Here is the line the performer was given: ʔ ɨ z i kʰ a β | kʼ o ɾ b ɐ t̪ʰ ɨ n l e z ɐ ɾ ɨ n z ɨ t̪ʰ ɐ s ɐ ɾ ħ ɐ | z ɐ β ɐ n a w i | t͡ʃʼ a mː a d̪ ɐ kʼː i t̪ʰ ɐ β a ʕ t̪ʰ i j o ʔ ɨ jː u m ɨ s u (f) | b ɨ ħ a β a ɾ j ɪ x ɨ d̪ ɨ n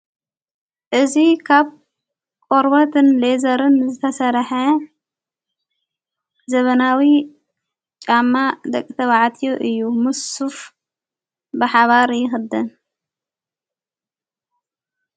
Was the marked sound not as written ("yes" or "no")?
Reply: no